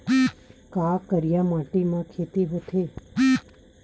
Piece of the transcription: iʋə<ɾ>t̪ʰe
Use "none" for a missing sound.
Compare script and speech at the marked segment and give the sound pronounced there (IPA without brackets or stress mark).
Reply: none